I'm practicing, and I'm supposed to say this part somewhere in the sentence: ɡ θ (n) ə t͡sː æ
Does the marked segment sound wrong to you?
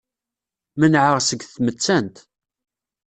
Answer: yes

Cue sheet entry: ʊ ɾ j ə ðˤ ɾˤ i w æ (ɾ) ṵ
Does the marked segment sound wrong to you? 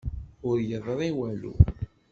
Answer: yes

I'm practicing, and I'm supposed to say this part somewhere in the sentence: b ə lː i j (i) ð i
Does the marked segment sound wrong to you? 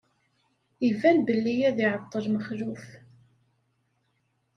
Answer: yes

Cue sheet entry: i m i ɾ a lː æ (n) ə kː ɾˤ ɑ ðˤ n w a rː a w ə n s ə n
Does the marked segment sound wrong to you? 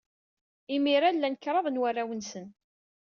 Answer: no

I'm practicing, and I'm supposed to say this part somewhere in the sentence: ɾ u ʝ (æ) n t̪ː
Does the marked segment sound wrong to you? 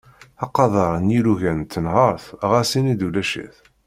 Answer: no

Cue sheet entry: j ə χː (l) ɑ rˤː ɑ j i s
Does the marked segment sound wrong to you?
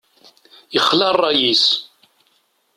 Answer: no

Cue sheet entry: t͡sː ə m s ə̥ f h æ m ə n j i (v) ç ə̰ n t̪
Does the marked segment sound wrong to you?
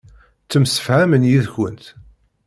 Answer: yes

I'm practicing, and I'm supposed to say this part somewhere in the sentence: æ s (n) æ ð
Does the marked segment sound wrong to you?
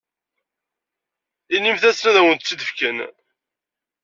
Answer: no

